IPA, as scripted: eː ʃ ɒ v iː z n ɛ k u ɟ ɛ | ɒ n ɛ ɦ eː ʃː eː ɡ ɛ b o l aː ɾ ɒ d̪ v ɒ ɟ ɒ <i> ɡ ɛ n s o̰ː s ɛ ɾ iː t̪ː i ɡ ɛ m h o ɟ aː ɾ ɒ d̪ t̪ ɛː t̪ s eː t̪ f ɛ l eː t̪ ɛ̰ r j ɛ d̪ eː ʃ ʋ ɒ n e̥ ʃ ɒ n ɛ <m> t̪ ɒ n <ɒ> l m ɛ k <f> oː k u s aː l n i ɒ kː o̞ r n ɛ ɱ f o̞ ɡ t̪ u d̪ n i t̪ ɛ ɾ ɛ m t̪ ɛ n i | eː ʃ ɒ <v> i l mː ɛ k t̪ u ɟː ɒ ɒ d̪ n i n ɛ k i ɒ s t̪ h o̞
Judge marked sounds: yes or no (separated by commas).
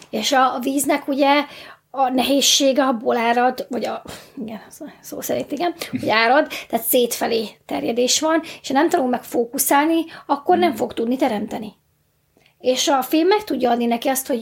yes, yes, no, yes, no